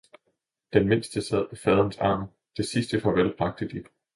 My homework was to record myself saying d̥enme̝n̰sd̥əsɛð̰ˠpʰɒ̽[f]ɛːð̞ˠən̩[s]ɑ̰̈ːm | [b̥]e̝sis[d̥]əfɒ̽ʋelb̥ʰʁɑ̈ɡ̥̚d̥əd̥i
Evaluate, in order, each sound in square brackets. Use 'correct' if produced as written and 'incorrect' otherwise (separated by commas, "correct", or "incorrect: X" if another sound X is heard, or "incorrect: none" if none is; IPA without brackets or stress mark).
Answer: correct, correct, incorrect: d̥, correct